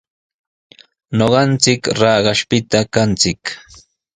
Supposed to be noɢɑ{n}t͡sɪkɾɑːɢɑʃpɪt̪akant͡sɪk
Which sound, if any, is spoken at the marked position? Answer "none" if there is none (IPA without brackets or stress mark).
n